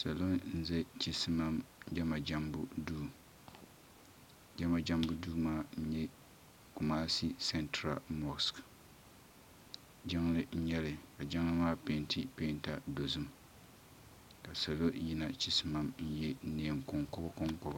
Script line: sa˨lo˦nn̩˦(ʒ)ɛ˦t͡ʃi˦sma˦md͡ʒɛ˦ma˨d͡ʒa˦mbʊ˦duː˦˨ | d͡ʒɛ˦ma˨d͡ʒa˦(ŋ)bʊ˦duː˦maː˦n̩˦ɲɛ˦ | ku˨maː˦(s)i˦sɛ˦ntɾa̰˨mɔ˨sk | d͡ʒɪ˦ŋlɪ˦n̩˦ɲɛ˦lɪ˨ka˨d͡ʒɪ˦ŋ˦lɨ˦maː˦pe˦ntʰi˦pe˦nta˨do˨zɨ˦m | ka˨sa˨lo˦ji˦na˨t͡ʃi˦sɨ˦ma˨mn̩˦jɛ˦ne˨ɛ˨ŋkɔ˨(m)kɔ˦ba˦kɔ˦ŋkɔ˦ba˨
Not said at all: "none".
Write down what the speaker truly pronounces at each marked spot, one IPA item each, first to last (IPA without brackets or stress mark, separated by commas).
z, m, s, ŋ